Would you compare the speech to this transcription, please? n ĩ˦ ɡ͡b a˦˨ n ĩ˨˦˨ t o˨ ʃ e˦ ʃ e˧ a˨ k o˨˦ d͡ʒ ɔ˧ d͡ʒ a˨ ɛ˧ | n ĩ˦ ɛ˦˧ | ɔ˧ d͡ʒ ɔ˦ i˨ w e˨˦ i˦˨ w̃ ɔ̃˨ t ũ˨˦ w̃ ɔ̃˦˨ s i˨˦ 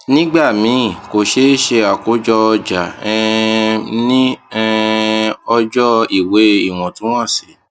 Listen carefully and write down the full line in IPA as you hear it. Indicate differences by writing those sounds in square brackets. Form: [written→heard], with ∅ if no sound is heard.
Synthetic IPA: n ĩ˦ ɡ͡b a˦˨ [n→m] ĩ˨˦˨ [t→k] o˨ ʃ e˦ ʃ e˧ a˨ k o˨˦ d͡ʒ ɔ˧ d͡ʒ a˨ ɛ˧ | n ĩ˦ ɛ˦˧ | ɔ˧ d͡ʒ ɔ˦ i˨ w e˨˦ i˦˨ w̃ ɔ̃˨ t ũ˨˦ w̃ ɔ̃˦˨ s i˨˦